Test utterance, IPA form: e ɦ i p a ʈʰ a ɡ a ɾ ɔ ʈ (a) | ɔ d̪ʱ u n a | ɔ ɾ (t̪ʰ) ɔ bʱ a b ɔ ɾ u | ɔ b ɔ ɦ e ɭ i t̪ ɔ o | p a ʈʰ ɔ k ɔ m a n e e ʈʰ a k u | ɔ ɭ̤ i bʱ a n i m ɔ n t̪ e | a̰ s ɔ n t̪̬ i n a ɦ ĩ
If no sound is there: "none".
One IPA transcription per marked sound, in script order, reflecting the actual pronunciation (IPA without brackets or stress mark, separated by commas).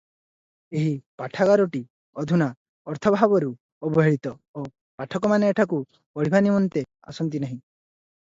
i, t̪ʰ